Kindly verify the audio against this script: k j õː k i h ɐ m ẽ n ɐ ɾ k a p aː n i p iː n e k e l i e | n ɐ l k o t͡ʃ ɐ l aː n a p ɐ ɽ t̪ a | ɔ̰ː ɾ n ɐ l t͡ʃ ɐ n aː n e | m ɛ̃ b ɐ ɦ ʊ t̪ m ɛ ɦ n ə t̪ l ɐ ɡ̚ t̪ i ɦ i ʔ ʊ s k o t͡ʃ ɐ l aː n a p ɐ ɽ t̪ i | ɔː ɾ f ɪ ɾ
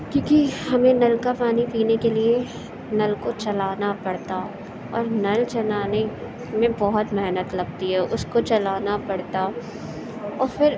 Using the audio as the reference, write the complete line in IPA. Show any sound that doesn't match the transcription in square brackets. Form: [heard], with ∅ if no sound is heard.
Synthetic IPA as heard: k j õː k i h ɐ m ẽ n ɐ [l] k a p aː n i p iː n e k e l i e | n ɐ l k o t͡ʃ ɐ l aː n a p ɐ ɽ t̪ a | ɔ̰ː ɾ n ɐ l t͡ʃ ɐ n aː n e | m [ẽ] b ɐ ɦ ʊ t̪ m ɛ ɦ n ə t̪ l ɐ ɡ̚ t̪ i ɦ [ɛ] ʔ ʊ s k o t͡ʃ ɐ l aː n a p ɐ ɽ t̪ [a] | ɔː ɾ f ɪ ɾ

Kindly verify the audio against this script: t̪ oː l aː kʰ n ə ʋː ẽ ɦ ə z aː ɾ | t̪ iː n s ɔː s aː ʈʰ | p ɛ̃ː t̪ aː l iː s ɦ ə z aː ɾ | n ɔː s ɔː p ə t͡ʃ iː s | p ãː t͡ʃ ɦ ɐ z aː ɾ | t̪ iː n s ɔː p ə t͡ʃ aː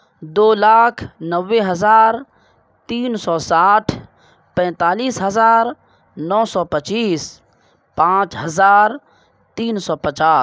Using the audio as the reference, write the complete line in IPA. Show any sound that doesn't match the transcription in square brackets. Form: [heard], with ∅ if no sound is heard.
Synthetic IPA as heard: [d̪] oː l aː kʰ n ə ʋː [e] ɦ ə z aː ɾ | t̪ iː n s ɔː s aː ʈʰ | p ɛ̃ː t̪ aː l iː s ɦ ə z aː ɾ | n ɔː s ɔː p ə t͡ʃ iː s | p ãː t͡ʃ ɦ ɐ z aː ɾ | t̪ iː n s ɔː p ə t͡ʃ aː

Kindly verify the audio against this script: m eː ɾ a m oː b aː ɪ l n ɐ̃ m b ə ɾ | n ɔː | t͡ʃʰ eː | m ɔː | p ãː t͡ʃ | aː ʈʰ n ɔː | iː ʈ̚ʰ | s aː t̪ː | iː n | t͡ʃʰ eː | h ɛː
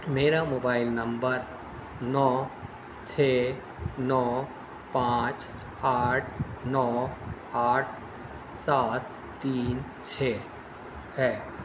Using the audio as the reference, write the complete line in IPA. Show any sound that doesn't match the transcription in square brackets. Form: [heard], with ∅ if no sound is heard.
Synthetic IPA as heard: m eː ɾ a m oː b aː ɪ l n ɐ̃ m b ə ɾ | n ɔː | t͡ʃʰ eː | [n] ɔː | p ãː t͡ʃ | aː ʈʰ n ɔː | [aː] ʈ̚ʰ | s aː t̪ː | iː n | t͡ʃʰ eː | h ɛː

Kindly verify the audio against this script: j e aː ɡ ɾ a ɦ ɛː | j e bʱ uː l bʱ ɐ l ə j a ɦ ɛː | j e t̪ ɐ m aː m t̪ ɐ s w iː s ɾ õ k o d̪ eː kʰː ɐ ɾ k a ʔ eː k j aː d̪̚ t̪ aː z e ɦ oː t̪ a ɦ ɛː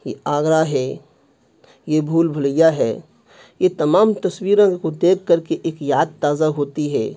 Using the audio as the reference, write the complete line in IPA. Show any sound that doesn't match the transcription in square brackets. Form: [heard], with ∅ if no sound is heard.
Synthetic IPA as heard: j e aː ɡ ɾ a ɦ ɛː | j e bʱ uː l bʱ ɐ l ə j a ɦ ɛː | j e t̪ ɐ m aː m t̪ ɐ s w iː [∅] ɾ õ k o d̪ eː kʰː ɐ ɾ k [e] ʔ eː k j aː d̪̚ t̪ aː z [a] ɦ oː t̪ [i] ɦ ɛː

